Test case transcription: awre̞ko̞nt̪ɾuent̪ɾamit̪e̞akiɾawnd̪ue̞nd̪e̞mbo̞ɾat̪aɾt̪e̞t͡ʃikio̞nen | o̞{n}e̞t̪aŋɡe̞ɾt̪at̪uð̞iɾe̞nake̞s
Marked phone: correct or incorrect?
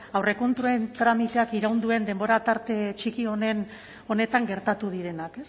correct